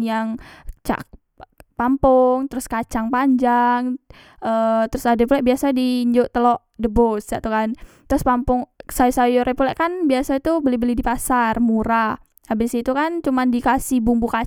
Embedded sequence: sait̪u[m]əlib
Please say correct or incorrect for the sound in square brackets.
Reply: incorrect